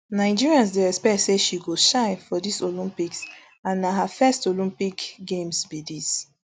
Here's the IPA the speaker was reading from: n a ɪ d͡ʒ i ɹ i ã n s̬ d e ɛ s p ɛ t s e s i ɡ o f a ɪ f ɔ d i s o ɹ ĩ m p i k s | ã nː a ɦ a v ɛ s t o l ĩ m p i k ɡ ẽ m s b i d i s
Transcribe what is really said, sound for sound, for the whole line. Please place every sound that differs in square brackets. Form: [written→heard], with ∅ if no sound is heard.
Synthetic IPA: n a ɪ d͡ʒ i ɹ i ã n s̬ d e ɛ s p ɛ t s e [s→ʃ] i ɡ o [f→ʃ] a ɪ f ɔ d i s o [ɹ→l] ĩ m p i k s | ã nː a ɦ a [v→f] ɛ s t o l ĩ m p i k ɡ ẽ m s b i d i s